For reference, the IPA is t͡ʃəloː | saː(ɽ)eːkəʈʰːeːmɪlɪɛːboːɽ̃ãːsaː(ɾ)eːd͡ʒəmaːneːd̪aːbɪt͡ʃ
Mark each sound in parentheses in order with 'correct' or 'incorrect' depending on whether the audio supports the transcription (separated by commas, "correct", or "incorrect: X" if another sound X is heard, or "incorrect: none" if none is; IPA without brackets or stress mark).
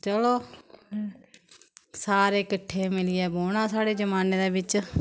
incorrect: ɾ, incorrect: ɽ